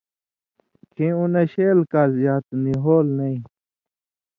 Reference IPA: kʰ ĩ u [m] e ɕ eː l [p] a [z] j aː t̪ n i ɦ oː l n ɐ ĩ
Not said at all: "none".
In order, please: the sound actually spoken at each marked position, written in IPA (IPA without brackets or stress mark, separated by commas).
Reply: n, k, z